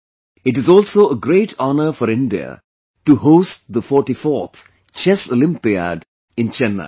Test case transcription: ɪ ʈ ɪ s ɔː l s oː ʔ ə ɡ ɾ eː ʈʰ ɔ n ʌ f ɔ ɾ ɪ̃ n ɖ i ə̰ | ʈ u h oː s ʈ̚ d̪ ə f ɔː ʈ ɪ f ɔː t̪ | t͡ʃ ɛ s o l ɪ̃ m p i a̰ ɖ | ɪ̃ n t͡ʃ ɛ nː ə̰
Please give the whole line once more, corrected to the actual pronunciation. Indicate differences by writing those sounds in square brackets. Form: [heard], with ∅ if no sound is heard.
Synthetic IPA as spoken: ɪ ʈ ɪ [z] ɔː l s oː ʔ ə ɡ ɾ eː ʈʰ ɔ n [ə] f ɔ ɾ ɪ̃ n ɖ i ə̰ | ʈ u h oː s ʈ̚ d̪ ə f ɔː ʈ [i] f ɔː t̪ | t͡ʃ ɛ s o l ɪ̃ m p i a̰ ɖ | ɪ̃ n t͡ʃ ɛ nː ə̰